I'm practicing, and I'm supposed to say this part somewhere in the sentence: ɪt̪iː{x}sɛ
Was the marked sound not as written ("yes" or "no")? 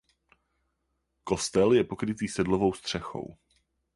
yes